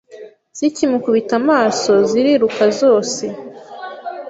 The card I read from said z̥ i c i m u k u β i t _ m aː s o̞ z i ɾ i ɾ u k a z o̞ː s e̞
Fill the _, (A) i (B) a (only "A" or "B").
B